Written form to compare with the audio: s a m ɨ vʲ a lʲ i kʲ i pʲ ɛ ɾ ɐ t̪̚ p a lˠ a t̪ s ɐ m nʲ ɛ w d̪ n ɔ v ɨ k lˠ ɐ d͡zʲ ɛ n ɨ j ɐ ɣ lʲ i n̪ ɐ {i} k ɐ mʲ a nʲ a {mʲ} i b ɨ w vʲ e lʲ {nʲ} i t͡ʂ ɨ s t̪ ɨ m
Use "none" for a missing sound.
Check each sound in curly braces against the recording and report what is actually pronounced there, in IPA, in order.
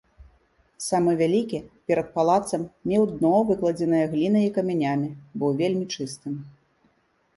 i, mʲ, mʲ

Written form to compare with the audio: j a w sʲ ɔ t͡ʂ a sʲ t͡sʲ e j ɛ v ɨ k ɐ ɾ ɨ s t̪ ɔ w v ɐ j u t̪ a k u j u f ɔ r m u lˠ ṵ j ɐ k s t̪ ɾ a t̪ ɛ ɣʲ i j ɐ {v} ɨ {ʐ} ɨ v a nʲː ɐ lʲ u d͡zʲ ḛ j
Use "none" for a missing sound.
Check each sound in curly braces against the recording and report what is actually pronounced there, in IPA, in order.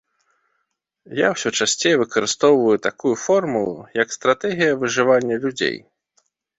v, ʐ

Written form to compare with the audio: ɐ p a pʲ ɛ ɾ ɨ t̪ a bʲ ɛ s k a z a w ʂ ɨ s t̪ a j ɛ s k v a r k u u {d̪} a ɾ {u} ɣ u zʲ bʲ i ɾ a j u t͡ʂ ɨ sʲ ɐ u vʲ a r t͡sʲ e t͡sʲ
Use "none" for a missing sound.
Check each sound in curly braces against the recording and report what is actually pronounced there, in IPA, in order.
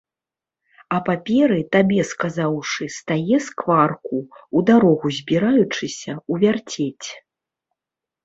d̪, ɔ

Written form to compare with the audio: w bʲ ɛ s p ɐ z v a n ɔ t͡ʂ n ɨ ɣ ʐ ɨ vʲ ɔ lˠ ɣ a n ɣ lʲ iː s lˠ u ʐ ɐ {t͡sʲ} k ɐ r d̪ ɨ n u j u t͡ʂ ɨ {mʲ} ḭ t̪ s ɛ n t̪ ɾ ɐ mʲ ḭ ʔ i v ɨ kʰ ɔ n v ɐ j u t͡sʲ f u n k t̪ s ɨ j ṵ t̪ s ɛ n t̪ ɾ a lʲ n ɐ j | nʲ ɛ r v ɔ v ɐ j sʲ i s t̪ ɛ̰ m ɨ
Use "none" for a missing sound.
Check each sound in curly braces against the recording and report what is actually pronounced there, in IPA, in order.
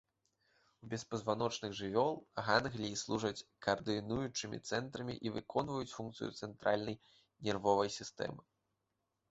t͡sʲ, mʲ

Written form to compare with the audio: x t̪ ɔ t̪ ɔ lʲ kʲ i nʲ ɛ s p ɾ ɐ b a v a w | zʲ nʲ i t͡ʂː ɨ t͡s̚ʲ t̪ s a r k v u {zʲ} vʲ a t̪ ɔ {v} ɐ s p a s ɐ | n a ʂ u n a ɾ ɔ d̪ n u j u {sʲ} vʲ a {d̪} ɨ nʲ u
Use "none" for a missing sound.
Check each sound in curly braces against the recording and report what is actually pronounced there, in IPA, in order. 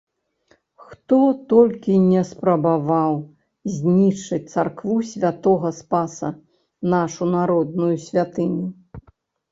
sʲ, ɣ, sʲ, t̪

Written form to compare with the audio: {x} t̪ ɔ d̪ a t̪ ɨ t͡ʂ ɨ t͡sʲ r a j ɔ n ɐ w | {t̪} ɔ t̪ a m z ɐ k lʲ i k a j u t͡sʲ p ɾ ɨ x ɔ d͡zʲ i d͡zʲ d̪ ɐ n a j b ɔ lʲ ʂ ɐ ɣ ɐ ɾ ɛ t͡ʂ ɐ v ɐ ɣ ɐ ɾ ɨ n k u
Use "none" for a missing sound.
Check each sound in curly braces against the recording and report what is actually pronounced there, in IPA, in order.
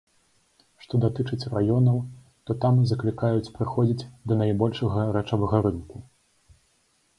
ʂ, t̪

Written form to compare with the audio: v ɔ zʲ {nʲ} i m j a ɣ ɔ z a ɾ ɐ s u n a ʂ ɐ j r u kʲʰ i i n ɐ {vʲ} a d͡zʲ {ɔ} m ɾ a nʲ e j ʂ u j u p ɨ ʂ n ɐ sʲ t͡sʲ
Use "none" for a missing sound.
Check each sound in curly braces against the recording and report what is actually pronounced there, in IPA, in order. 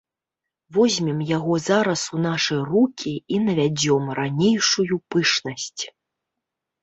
mʲ, vʲ, ɔ

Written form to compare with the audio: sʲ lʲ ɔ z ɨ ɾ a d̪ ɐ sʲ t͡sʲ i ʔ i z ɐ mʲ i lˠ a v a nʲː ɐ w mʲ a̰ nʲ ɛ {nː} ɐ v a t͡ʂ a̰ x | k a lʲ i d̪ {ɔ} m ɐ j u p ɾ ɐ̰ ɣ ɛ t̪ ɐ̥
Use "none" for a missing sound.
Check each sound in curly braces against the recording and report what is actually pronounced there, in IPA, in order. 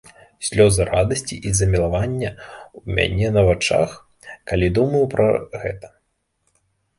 n, u

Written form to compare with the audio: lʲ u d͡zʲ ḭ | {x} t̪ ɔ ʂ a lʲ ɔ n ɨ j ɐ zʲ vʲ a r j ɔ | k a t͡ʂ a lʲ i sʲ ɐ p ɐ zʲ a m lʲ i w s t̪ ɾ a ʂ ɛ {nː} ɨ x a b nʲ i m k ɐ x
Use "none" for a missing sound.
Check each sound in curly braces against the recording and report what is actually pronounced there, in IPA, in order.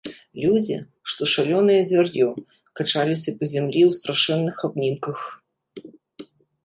ʂ, nː

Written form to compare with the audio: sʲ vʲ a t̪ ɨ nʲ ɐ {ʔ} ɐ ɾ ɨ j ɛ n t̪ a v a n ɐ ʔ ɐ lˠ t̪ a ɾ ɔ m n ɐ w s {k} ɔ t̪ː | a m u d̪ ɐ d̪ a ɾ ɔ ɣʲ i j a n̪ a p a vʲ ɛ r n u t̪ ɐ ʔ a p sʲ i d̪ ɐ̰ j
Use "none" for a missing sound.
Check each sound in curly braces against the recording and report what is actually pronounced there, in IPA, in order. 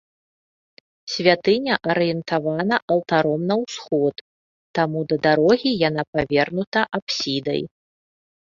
ʔ, x

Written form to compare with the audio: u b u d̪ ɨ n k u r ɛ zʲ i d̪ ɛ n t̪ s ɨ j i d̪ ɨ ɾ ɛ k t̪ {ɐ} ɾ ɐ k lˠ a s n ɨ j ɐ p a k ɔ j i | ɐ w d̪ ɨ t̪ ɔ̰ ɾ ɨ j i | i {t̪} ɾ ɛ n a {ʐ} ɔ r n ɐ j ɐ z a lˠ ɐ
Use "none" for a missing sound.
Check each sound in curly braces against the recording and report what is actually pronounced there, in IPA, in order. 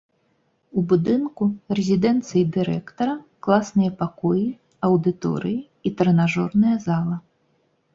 ɐ, t̪, ʐ

